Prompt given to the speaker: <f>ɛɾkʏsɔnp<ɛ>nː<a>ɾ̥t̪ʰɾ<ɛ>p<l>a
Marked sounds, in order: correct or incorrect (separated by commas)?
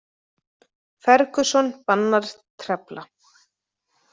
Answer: correct, incorrect, correct, correct, correct